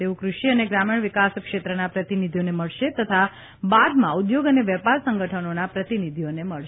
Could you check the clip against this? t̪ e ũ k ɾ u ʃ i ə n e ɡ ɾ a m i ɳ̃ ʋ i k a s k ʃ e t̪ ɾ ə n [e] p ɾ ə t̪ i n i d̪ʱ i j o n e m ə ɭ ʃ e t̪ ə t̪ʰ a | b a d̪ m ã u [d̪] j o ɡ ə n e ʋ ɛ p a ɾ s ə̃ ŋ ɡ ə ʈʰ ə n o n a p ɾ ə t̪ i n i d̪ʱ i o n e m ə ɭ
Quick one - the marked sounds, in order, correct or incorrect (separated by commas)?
incorrect, correct